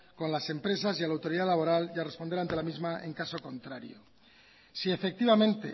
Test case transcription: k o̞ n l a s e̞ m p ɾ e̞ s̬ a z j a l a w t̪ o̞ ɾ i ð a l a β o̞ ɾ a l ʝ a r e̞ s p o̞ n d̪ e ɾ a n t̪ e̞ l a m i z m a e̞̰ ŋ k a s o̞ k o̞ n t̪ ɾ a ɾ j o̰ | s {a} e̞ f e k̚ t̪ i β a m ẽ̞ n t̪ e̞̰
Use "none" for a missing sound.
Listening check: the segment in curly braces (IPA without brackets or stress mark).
i